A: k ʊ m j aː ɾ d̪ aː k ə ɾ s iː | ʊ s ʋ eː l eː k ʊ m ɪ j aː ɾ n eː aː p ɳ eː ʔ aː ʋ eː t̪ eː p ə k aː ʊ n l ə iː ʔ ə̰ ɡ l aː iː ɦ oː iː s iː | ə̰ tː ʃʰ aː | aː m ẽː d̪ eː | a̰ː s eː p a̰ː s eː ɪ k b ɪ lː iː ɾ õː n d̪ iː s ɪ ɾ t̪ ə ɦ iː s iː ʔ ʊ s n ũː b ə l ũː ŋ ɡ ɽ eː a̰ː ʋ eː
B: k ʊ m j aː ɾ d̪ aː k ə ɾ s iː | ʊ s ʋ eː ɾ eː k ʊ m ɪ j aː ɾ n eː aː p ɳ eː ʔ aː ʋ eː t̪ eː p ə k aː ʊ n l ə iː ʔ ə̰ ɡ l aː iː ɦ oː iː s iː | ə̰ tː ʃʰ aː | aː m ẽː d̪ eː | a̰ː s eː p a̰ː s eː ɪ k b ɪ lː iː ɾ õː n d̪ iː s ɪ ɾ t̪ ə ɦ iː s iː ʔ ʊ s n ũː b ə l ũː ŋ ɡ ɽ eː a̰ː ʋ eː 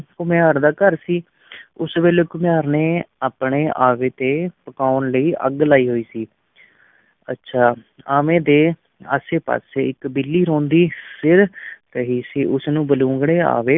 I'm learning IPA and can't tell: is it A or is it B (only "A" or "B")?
A